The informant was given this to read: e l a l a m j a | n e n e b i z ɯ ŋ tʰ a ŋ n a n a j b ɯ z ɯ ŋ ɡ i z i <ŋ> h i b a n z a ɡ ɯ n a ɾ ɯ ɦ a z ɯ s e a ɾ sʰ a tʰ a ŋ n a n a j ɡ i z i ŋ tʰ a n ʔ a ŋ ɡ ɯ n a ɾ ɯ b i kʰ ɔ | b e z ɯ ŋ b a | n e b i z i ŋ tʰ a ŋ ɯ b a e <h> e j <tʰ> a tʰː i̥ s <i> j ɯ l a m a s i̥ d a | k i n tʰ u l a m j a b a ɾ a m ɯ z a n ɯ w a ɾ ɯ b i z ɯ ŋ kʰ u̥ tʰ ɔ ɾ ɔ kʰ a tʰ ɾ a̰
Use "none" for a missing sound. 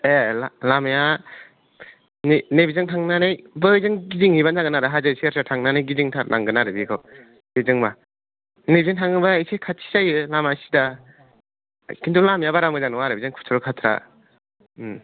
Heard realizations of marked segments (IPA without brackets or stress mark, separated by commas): ŋ, s, kʰ, a